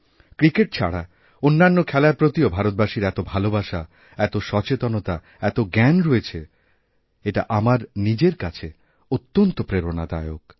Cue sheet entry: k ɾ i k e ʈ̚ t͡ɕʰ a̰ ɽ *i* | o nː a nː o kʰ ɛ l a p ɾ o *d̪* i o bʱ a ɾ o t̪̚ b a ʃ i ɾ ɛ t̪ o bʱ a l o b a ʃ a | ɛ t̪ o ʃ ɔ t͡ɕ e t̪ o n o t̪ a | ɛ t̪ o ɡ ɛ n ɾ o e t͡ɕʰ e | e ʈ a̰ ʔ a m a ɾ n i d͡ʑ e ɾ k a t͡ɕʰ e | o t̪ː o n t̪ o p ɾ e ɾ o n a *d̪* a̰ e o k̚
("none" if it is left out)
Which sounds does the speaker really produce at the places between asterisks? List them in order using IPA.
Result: a, t̪, d̪

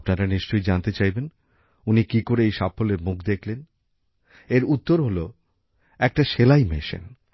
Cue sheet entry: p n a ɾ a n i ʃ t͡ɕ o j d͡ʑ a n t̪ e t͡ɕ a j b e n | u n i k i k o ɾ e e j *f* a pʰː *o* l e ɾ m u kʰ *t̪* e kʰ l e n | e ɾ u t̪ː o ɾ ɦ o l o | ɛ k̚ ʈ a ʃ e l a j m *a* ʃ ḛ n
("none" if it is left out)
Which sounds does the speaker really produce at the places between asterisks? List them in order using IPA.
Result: ʃ, o, d̪, e

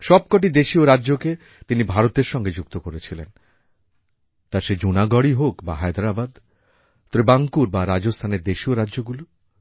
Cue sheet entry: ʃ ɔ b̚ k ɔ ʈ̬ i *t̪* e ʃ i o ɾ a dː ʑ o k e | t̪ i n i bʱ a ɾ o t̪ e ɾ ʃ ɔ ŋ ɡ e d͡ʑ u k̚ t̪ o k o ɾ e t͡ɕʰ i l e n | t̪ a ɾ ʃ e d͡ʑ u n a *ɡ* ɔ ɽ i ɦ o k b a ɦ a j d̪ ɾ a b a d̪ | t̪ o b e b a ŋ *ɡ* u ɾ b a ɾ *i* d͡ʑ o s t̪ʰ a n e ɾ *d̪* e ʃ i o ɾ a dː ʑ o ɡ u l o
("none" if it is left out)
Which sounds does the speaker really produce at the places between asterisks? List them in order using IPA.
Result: d̪, ɡ, k, a, d̪

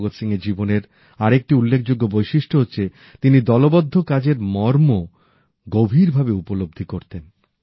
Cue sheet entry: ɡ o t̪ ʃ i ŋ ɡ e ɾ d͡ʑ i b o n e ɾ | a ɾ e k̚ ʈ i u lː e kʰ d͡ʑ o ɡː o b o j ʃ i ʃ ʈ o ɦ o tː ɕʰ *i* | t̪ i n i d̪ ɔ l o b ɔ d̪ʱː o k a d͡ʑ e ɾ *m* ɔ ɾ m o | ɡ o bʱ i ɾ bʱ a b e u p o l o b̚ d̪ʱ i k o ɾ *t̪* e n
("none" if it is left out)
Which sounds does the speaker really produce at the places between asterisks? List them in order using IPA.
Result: e, m, t̪

